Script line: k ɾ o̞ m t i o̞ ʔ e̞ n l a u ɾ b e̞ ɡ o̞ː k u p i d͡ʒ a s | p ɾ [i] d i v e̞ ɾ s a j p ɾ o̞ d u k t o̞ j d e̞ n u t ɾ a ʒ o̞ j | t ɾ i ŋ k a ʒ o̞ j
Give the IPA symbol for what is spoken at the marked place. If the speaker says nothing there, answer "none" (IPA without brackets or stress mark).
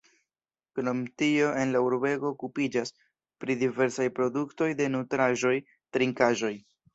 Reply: i